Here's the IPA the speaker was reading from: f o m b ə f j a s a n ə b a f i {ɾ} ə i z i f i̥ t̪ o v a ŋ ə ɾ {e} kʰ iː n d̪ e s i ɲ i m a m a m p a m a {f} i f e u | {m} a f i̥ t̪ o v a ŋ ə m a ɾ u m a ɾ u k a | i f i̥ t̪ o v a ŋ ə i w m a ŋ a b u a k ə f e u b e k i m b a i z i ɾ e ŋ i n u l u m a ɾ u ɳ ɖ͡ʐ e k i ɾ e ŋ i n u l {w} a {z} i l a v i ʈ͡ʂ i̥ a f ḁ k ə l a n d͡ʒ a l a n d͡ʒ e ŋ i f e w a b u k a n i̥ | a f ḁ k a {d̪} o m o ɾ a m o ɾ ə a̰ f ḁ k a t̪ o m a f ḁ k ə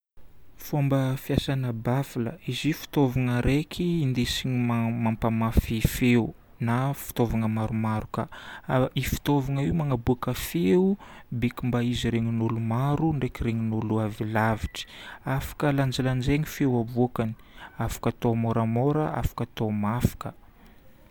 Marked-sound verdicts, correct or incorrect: incorrect: l, correct, correct, incorrect: n, incorrect: u, incorrect: v, incorrect: t̪

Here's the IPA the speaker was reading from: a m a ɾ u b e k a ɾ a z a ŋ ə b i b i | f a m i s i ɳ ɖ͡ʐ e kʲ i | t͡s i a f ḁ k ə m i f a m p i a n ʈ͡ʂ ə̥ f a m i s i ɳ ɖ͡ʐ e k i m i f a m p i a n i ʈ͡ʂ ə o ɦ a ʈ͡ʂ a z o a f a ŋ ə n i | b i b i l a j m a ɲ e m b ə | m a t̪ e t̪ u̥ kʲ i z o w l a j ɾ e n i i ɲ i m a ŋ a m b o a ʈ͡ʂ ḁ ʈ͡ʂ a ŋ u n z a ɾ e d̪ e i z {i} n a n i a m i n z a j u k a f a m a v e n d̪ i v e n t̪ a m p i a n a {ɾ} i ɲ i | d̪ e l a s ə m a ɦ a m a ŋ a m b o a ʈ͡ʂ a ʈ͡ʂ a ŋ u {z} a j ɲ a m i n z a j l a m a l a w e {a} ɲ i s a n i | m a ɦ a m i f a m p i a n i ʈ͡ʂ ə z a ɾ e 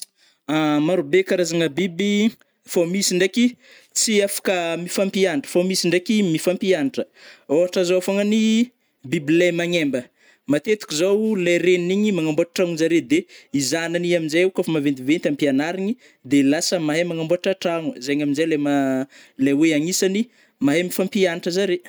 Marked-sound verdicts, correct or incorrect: incorrect: a, correct, correct, correct

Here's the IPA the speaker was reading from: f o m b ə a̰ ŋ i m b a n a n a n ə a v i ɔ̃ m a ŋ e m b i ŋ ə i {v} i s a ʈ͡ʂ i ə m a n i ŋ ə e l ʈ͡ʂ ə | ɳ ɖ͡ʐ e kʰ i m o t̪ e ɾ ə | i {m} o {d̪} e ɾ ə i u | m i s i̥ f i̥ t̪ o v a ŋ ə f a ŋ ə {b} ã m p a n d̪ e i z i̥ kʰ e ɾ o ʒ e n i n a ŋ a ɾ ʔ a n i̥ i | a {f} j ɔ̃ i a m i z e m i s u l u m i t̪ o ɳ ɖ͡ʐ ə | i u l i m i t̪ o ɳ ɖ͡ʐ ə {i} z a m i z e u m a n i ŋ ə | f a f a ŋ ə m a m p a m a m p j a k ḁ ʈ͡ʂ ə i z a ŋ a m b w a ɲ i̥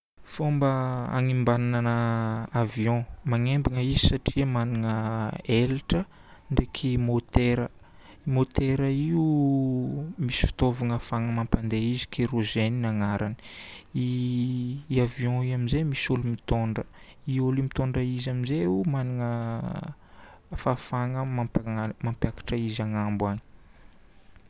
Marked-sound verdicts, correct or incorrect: incorrect: z, correct, incorrect: t̪, incorrect: m, incorrect: v, correct

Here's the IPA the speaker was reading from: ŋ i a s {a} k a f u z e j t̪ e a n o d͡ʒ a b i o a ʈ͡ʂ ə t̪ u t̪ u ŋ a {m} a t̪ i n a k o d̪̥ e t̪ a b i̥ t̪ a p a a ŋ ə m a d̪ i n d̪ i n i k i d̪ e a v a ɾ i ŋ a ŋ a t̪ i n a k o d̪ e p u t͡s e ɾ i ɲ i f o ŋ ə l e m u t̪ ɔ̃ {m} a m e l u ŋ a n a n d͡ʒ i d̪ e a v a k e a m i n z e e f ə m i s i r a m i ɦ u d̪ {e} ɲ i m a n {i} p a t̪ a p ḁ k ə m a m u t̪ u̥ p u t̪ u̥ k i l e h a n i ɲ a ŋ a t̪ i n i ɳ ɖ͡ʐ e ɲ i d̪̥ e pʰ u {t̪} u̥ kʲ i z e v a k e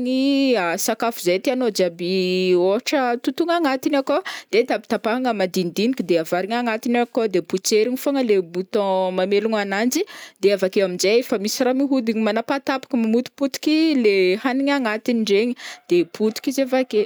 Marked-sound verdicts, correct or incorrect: correct, incorrect: ŋ, correct, incorrect: i, incorrect: a, correct

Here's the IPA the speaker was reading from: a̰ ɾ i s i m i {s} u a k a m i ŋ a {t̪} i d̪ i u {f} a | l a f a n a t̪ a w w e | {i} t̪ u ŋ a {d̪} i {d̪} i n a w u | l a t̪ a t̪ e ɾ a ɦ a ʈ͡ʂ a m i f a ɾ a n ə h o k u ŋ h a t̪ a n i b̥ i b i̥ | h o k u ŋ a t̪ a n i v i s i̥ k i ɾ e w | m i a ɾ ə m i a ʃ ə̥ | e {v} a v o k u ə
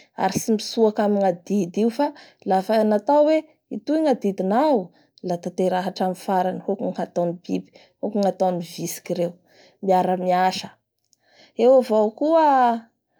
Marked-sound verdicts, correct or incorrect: correct, incorrect: d̪, correct, correct, correct, correct, incorrect: w

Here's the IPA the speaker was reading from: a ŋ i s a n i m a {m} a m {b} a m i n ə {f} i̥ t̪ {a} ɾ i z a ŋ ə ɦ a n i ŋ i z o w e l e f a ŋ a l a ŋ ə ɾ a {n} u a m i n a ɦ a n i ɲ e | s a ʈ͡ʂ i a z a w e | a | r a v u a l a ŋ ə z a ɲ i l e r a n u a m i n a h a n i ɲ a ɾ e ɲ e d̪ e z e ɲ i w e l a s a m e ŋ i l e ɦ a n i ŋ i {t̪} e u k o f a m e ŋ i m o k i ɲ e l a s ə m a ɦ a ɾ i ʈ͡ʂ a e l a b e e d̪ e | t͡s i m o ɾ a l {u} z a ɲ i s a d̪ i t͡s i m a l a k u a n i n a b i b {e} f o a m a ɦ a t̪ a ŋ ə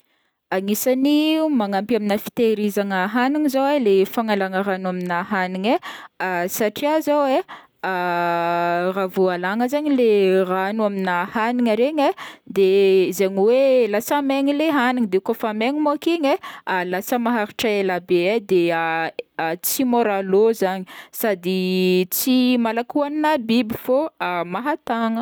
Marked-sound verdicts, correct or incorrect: incorrect: ŋ, incorrect: p, correct, incorrect: e, correct, incorrect: d̪, incorrect: o, incorrect: i

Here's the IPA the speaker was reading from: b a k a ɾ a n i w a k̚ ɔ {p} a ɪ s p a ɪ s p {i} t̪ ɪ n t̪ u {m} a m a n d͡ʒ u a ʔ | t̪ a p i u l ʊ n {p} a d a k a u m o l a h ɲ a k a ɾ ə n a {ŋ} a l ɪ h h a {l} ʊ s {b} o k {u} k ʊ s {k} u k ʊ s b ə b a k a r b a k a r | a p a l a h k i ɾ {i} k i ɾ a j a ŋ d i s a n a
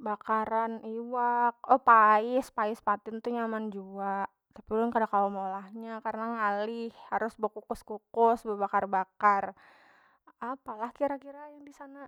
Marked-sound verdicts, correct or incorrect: correct, incorrect: a, incorrect: ɲ, incorrect: k, correct, incorrect: ɾ, correct, correct, correct, incorrect: a

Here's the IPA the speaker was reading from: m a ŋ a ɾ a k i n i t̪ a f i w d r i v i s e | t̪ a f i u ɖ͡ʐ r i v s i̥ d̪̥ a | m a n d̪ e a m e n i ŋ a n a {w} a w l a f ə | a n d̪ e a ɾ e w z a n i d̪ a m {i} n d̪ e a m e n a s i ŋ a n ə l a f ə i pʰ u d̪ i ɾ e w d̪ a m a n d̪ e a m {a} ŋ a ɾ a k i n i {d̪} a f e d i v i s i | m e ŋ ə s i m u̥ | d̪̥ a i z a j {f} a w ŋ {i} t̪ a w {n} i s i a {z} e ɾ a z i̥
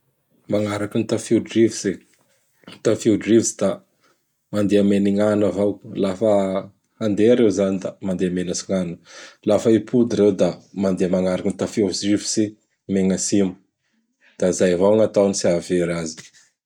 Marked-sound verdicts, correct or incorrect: incorrect: v, incorrect: a, correct, incorrect: t̪, incorrect: v, incorrect: a, correct, incorrect: v

